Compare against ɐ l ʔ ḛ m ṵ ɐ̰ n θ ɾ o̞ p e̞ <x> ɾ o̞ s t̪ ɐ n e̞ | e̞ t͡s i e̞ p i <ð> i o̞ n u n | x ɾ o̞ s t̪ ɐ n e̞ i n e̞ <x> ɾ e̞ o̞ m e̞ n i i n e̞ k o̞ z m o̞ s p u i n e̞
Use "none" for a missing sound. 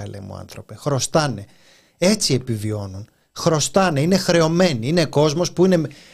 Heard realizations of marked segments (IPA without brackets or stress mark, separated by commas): x, v, x